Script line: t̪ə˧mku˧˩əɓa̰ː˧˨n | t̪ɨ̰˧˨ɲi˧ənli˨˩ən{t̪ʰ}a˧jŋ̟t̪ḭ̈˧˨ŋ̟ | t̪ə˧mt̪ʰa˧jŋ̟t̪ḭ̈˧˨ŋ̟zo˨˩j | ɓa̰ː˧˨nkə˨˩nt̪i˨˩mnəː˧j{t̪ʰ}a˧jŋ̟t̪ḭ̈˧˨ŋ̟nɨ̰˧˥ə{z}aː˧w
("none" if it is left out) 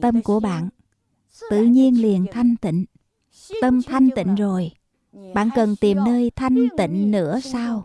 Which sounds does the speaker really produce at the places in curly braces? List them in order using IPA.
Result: t̪ʰ, t̪ʰ, s

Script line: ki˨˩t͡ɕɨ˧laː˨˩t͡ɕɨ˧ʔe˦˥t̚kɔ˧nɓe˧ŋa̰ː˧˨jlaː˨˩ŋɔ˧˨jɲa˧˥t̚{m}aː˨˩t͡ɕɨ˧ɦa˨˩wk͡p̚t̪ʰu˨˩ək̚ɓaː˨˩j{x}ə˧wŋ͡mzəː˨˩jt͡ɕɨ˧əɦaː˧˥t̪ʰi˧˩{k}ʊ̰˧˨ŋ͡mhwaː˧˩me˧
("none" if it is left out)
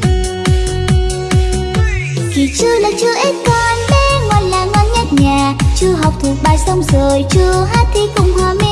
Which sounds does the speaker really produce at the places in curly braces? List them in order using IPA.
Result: ɲ, s, k

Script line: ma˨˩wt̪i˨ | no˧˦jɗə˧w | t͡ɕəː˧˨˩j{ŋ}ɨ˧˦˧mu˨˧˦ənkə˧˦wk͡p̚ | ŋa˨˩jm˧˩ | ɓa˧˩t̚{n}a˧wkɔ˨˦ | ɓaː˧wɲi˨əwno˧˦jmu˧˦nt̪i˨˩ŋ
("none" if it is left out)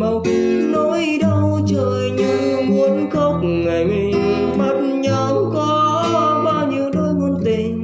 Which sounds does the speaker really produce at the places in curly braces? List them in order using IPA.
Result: ɲ, ɲ

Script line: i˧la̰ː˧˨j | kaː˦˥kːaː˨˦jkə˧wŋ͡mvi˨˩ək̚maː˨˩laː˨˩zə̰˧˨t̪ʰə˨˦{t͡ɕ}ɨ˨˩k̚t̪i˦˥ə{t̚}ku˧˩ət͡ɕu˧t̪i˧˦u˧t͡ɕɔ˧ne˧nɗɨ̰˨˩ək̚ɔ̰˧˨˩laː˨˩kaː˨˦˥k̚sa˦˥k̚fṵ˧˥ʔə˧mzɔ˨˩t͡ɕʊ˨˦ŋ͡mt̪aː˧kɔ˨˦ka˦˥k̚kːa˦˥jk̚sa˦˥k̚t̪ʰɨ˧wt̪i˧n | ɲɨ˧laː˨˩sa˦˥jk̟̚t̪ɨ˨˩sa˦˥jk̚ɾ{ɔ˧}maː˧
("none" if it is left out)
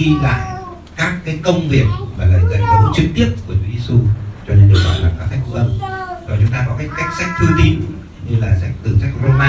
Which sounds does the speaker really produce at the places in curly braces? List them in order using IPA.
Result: t͡ɕ, p̚, o˧

